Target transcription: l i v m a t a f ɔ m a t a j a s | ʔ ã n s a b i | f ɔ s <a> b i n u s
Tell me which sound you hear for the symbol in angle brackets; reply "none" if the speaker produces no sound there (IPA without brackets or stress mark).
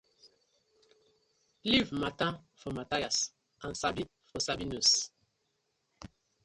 a